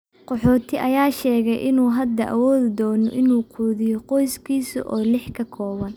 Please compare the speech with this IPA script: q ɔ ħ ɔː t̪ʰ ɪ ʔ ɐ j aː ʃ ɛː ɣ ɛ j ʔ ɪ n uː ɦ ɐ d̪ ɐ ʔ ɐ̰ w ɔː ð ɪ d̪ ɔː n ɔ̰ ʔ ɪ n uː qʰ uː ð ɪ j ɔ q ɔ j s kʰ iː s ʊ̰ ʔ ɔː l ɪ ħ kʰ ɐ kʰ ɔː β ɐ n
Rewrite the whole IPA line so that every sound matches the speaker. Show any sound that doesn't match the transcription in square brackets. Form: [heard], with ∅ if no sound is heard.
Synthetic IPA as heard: q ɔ ħ ɔː t̪ʰ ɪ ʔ ɐ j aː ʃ ɛː ɣ ɛ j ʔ ɪ n uː ɦ ɐ d̪ ɐ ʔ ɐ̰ w ɔː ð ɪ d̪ ɔː n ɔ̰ ʔ ɪ n uː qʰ uː ð ɪ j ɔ q ɔ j s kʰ iː s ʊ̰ ʔ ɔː l ɪ ħ kʰ ɐ kʰ ɔː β ɐ n